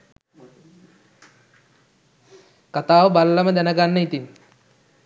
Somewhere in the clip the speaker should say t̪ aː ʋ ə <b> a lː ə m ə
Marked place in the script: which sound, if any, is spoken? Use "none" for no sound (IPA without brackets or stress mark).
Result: b